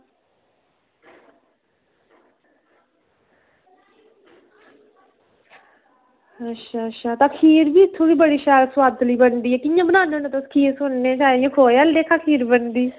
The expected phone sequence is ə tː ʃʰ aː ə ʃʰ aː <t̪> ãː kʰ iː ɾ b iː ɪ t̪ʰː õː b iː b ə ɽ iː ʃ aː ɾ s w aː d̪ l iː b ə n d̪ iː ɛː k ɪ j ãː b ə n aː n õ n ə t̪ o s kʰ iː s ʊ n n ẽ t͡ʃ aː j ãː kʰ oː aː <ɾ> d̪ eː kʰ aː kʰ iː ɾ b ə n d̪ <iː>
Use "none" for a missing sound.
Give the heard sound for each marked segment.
t̪, l, iː

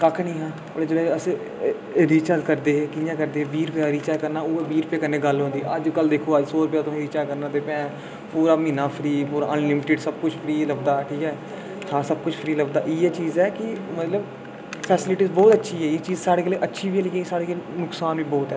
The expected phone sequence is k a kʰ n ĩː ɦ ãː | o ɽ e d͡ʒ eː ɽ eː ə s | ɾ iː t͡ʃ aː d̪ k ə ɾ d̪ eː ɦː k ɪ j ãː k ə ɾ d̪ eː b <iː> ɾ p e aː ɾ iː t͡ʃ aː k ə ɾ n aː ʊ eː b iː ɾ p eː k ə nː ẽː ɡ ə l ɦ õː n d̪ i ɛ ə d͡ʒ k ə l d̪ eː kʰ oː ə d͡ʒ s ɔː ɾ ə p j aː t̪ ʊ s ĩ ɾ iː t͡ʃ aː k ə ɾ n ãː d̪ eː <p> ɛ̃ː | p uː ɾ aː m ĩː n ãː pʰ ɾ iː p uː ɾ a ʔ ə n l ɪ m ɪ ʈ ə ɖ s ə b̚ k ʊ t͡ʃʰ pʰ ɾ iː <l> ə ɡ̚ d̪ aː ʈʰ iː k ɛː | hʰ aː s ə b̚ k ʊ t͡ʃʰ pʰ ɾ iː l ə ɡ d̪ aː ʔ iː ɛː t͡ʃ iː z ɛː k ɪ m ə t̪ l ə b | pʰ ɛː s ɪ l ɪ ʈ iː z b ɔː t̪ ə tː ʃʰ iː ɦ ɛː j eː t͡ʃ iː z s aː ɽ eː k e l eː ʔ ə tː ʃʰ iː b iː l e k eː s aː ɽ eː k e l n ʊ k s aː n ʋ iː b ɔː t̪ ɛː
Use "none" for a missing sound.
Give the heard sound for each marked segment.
iː, p, l

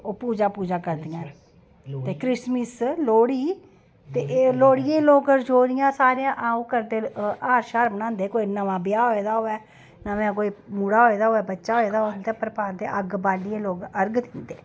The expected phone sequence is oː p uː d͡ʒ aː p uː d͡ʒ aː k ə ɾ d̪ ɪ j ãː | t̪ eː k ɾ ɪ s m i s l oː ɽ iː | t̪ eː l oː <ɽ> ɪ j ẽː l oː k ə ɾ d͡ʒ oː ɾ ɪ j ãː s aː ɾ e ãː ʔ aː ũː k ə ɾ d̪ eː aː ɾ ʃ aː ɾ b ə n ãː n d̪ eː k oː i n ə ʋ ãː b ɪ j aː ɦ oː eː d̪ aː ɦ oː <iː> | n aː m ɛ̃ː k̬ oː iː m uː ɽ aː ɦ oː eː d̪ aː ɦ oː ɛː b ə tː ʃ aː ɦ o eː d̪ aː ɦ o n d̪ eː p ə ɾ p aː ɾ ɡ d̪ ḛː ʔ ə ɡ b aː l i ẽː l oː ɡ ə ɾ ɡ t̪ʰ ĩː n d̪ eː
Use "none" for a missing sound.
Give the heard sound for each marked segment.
ɽ, ɛː

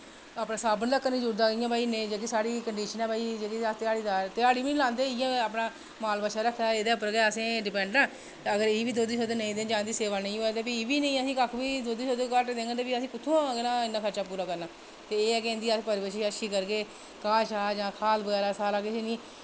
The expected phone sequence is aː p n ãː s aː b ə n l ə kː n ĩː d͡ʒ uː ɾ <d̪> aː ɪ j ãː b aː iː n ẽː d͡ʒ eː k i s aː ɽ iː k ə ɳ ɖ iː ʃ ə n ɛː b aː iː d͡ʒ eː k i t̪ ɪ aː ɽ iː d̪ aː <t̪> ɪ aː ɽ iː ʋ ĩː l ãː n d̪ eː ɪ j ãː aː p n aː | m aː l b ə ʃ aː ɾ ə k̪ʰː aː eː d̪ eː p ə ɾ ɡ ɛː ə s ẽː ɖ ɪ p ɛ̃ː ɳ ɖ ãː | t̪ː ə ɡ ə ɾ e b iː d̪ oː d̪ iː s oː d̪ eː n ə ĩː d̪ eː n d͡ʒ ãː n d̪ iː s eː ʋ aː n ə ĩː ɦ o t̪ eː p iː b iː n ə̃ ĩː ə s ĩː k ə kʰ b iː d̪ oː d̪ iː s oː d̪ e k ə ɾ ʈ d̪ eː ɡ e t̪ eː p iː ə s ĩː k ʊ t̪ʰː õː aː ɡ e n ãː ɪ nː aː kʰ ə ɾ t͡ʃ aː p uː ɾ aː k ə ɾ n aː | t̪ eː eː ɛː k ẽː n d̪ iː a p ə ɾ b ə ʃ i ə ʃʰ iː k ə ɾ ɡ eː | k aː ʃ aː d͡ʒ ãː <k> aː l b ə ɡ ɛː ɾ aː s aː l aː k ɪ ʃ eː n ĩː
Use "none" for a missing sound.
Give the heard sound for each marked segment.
d̪, t̪, kʰ

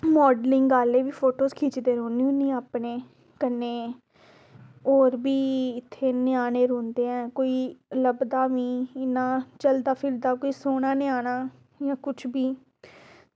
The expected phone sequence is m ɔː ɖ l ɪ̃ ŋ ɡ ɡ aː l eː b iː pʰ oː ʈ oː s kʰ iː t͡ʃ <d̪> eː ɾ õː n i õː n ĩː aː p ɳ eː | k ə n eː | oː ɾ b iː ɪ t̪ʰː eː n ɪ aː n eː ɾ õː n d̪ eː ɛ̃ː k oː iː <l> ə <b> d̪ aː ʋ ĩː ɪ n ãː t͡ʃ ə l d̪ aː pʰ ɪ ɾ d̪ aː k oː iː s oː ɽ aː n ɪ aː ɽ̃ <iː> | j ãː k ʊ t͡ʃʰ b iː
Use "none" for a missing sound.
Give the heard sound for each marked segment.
d̪, l, b, aː

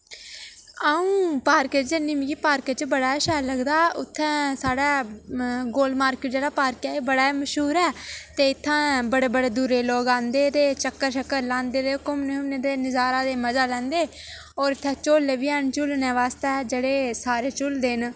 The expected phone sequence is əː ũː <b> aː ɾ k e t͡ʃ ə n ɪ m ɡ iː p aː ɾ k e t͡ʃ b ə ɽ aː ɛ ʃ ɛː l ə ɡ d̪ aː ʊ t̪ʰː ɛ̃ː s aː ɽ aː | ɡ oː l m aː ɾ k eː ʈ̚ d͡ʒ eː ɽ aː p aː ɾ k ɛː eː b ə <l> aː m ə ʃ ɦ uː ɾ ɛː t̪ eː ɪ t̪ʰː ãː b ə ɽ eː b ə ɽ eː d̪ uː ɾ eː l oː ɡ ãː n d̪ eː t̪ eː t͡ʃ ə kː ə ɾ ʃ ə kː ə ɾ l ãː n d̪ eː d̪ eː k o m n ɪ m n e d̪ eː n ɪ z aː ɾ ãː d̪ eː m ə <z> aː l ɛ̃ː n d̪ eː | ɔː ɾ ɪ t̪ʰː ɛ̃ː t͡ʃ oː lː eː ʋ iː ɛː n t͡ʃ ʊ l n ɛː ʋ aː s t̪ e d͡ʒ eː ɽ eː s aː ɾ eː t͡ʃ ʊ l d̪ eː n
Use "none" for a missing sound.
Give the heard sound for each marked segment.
p, ɽ, z

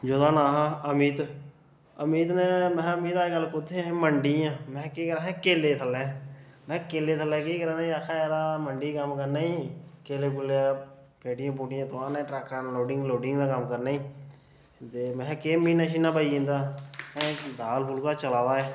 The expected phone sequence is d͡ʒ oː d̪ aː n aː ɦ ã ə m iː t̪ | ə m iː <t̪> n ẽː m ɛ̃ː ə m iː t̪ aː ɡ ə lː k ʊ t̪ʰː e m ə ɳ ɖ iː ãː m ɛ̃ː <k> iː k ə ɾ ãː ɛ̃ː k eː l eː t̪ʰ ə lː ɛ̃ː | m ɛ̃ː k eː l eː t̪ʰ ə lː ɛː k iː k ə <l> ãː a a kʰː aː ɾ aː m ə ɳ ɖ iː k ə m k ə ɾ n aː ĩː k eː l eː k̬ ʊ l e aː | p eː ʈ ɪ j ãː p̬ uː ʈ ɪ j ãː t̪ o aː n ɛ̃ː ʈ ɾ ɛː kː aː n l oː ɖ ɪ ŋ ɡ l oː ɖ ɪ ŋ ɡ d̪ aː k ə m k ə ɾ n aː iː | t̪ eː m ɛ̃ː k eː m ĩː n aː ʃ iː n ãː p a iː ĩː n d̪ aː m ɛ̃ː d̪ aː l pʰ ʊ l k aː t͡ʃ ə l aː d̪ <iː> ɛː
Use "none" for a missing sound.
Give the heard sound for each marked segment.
t̪, k, ɾ, aː

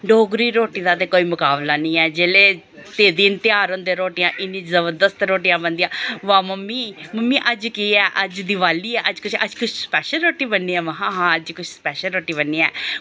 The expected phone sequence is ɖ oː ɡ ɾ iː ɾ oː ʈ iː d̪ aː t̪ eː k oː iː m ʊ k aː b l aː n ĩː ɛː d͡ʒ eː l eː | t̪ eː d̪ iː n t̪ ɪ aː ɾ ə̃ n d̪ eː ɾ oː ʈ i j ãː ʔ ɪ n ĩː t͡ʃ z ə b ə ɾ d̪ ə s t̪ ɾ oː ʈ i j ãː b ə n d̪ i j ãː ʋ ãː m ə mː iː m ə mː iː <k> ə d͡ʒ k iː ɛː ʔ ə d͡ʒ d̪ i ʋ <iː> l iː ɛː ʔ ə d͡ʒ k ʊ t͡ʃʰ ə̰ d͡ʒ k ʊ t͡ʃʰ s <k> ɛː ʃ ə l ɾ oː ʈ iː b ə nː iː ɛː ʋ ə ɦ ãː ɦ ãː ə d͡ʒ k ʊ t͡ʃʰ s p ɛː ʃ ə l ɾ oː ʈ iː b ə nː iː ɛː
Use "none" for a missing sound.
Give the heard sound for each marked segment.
ʔ, aː, p

